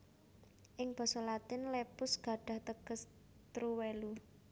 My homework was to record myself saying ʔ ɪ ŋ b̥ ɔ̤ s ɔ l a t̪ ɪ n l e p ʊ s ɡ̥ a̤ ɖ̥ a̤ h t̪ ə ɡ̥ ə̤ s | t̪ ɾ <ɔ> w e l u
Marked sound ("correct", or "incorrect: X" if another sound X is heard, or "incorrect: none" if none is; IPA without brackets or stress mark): incorrect: u